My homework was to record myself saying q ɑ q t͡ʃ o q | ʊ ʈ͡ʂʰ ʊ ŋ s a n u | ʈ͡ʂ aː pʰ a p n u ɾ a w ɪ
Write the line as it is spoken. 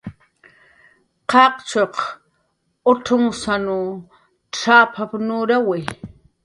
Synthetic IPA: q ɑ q t͡ʃ o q | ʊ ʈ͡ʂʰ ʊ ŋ s a n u | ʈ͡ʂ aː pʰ a p n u ɾ a w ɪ